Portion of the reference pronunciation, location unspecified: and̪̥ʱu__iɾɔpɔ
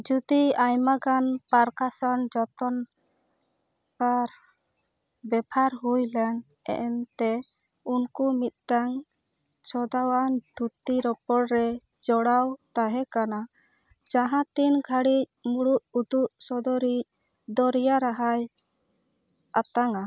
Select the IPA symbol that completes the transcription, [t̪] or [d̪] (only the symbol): t̪